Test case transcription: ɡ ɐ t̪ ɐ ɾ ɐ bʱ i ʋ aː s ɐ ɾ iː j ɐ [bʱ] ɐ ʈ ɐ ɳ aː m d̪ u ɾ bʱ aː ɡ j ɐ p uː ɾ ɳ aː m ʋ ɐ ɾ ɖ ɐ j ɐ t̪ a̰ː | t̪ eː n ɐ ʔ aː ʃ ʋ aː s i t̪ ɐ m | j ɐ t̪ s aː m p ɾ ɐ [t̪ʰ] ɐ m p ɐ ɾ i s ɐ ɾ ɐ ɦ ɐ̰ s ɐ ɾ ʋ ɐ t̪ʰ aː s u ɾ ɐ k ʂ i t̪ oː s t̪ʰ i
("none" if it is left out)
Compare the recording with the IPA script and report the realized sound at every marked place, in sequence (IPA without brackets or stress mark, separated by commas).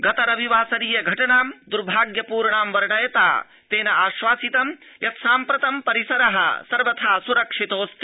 ɡʱ, t̪